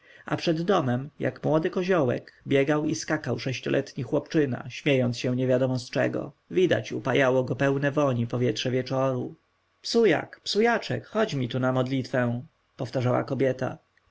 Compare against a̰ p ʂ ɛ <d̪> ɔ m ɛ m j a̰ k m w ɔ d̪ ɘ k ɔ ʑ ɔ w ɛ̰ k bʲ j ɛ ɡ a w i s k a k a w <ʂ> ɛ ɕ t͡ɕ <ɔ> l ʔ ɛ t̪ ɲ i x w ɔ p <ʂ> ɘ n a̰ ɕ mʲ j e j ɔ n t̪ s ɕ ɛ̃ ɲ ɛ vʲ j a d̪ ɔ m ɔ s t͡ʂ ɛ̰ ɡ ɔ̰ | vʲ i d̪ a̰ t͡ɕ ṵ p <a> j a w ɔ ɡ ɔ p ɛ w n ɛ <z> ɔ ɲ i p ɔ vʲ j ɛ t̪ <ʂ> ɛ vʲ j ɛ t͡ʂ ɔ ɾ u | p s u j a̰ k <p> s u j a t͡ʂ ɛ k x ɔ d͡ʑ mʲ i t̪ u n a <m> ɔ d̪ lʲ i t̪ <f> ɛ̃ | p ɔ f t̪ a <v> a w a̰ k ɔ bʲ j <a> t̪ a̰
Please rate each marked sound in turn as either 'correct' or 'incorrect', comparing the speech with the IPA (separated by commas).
incorrect, correct, correct, incorrect, correct, incorrect, correct, correct, correct, correct, incorrect, incorrect